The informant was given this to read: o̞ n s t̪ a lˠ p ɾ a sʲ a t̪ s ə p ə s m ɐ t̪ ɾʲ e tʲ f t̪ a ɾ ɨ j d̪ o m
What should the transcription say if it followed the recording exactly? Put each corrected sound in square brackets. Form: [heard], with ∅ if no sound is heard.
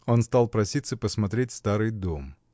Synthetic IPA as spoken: o̞ n s t̪ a lˠ p ɾ [ɐ] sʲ [i] t̪ s ə p ə s m ɐ t̪ ɾʲ e tʲ [s] t̪ a ɾ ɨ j d̪ o m